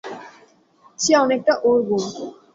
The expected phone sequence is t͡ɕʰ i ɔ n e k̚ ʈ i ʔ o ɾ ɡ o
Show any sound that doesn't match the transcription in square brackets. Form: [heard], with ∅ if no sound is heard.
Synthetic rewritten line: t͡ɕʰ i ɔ n e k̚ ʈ [a] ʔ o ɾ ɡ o